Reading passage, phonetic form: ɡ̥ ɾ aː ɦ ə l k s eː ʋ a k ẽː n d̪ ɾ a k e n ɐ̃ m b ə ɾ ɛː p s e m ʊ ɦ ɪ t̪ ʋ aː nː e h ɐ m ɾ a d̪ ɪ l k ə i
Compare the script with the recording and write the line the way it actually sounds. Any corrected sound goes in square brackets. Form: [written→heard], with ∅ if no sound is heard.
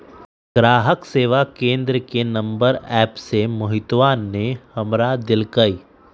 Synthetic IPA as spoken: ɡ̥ ɾ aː ɦ ə [l→∅] k s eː ʋ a k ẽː n d̪ ɾ [a→ə] k e n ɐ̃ m b ə ɾ ɛː p s e m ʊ ɦ ɪ t̪ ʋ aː nː e h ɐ m ɾ a d̪ ɪ l k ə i